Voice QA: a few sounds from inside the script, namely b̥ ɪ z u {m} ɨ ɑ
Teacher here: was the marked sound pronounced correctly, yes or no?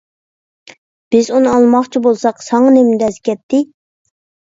no